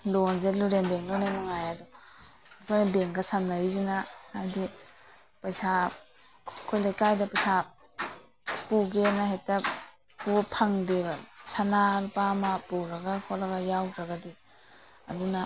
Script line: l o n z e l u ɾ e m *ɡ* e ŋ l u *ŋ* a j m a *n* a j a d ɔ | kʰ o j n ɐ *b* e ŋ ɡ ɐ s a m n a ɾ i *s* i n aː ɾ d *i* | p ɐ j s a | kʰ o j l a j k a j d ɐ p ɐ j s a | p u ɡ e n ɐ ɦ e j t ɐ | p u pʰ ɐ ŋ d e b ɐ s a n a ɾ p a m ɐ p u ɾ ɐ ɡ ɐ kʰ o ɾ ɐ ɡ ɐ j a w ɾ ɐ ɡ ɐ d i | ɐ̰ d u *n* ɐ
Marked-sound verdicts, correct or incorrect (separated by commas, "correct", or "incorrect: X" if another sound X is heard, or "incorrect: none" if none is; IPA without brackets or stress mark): incorrect: b, incorrect: n, incorrect: ŋ, correct, incorrect: z, correct, correct